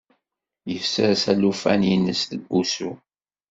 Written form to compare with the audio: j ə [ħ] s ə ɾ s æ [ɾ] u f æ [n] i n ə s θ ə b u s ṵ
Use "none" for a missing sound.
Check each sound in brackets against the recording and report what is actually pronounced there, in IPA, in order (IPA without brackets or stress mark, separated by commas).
f, l, n